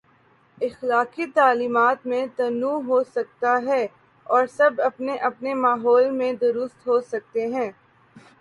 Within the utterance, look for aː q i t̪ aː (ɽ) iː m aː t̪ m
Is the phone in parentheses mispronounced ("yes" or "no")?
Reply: yes